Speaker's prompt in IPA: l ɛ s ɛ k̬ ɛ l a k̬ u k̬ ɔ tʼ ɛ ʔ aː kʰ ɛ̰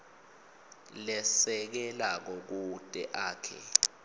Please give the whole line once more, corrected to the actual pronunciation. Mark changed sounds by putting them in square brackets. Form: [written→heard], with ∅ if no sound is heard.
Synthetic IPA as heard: l ɛ s ɛ k̬ ɛ l a k̬ [u→ɔ] k̬ [ɔ→u] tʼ ɛ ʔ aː kʰ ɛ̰